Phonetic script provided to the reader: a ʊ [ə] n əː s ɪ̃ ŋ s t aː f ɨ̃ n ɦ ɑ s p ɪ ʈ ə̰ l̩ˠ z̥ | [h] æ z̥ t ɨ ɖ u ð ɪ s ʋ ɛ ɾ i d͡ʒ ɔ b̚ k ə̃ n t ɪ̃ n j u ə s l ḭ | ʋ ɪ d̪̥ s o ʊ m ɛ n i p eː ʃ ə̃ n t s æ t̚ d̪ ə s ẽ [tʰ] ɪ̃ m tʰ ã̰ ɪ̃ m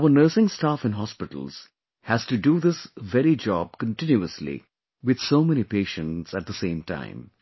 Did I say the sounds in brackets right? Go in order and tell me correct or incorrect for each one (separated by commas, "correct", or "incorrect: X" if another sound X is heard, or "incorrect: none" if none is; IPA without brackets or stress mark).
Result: correct, correct, incorrect: none